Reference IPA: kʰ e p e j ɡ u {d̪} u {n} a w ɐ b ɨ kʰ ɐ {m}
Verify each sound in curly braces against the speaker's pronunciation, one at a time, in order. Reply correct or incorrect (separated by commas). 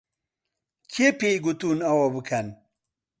incorrect, correct, incorrect